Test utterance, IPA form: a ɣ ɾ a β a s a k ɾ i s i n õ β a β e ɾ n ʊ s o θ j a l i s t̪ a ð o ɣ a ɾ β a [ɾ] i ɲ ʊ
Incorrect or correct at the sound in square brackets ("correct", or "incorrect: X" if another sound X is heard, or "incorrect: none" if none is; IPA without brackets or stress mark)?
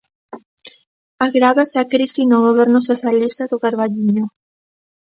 incorrect: ʎ